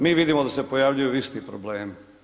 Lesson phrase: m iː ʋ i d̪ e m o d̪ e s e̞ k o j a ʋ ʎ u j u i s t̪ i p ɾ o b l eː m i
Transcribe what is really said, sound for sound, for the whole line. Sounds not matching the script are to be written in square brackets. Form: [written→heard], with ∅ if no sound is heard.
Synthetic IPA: m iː ʋ i d̪ [e→i] m o d̪ [e→a] s e̞ [k→p] o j a ʋ ʎ u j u i s t̪ i p ɾ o b l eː m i